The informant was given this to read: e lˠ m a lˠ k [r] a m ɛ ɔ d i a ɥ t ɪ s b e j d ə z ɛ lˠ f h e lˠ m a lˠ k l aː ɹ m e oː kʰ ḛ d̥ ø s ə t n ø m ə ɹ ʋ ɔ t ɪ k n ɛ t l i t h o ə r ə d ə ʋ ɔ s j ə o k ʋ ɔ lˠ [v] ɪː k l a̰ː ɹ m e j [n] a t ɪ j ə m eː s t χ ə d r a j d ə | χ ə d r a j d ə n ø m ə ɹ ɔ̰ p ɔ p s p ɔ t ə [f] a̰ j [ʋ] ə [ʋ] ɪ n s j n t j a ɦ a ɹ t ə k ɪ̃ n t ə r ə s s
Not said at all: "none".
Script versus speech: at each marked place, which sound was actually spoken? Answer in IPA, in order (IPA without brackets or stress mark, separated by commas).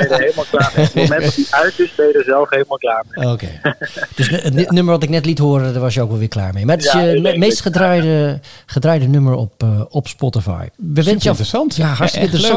l, ʋ, m, f, ʋ, ʋ